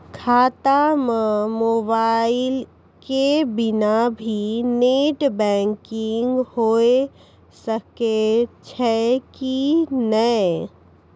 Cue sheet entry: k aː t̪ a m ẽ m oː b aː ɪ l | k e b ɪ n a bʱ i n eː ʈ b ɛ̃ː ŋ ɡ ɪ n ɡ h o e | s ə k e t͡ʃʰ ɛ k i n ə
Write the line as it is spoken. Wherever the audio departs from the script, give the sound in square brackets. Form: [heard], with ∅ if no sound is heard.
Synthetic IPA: [kʰ] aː t̪ a m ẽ m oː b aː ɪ l | k e b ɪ n a bʱ i n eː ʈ b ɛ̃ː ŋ [k] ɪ [ŋ] ɡ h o e | s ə k e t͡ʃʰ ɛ k i n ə